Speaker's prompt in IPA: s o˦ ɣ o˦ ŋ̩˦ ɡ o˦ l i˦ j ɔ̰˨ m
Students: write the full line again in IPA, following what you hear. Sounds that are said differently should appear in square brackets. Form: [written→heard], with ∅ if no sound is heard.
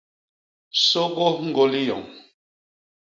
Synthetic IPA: s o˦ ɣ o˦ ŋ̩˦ ɡ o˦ l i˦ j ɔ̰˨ [m→ŋ]

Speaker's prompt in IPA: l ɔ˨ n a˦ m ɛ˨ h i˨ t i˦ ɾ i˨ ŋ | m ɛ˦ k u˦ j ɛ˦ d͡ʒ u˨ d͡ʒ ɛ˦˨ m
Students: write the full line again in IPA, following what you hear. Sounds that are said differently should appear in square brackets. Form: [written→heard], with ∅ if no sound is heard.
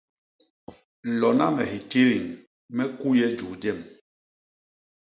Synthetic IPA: l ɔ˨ n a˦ m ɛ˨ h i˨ t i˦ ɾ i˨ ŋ | m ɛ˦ k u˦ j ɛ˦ d͡ʒ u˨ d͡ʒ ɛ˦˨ m

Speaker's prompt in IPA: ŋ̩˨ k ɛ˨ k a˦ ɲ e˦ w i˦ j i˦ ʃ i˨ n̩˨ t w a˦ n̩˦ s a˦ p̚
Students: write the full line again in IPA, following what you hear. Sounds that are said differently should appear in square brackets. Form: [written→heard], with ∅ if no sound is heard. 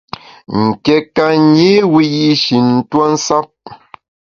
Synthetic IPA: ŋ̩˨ k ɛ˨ k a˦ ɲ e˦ w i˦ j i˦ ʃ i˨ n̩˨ t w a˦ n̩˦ s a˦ p̚

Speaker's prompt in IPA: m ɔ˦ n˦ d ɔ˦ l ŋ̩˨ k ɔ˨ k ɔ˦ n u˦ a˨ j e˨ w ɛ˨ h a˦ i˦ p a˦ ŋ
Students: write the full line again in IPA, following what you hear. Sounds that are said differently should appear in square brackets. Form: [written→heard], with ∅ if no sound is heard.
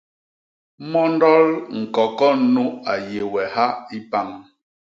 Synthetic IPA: m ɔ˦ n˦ d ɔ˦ l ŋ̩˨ k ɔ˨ k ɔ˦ n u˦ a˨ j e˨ w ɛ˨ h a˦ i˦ p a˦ ŋ

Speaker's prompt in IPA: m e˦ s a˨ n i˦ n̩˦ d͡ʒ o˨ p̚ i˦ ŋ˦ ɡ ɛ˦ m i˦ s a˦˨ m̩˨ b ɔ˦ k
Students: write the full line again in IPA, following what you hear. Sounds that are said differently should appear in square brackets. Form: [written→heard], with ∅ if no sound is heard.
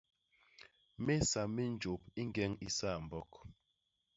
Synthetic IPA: m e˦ s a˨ [n→m] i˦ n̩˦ d͡ʒ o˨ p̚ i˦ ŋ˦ ɡ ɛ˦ [m→ŋ] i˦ s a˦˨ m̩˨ b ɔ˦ k

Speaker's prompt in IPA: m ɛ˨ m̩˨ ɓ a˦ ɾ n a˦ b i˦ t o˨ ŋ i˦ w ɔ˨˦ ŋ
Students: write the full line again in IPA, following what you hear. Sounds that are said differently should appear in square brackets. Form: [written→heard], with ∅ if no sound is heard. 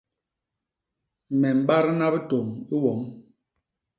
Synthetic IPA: m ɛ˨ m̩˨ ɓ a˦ ɾ n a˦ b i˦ t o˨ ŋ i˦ w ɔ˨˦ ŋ

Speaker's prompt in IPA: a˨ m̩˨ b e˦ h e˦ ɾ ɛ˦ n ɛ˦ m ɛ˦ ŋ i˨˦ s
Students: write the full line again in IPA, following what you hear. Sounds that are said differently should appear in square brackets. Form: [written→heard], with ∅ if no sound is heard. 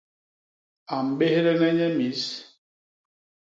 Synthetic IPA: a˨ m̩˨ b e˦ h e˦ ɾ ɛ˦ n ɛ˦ [m→ɲ] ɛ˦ [ŋ→m] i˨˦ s

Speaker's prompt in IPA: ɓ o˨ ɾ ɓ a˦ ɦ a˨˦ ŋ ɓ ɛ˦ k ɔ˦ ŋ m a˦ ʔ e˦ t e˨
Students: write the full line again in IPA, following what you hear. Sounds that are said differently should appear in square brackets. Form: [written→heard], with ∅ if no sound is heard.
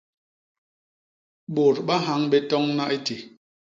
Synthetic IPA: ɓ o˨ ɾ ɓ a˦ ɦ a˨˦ ŋ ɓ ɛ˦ [k→t] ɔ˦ ŋ [m→n] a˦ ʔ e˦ t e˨

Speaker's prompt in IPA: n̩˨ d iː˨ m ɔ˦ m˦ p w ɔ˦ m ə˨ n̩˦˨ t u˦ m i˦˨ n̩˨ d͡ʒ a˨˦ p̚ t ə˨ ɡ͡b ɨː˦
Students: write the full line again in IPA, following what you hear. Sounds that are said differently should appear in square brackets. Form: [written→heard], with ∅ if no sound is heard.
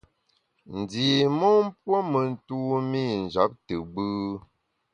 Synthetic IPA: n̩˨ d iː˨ m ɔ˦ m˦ p w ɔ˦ m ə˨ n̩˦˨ t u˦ m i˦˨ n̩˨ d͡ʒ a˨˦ p̚ t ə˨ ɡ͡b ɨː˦

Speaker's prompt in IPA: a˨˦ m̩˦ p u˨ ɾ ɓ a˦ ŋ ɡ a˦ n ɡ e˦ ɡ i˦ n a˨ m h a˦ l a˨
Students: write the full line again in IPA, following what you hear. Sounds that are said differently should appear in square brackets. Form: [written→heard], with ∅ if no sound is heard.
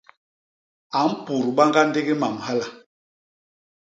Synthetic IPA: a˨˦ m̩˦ p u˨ ɾ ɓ a˦ ŋ ɡ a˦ n [ɡ→d] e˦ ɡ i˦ [n→m] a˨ m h a˦ l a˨

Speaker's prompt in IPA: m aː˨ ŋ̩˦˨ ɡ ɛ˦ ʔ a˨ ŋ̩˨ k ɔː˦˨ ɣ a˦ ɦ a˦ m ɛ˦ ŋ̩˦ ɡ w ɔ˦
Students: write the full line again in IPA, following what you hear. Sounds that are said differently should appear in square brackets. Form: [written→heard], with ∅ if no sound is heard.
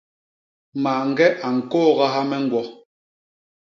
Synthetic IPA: m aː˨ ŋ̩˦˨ ɡ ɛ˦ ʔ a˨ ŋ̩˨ k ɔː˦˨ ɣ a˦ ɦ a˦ m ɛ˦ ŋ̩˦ ɡ w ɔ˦

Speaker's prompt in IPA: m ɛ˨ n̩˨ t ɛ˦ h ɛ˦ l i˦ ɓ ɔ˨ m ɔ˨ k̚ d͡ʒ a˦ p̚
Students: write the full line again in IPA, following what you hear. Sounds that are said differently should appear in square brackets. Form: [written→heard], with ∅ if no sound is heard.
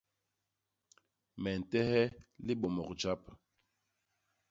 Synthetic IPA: m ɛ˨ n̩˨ t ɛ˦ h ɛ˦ l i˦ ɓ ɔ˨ m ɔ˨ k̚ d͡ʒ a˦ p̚

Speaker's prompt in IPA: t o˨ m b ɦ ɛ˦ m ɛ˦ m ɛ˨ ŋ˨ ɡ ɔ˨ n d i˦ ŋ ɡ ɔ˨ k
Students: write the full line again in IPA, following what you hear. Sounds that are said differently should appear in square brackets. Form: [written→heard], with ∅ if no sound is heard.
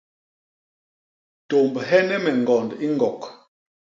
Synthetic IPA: t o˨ m b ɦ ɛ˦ [m→n] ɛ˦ m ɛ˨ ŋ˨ ɡ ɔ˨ n d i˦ ŋ ɡ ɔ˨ k

